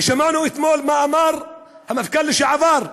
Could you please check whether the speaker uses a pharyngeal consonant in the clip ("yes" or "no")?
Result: yes